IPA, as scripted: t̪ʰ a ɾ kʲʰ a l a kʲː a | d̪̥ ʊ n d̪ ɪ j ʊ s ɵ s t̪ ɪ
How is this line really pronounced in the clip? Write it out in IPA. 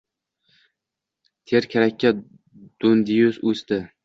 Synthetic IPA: t̪ʰ e ɾ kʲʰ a ɾ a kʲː a | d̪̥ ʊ n d̪ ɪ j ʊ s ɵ s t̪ ɪ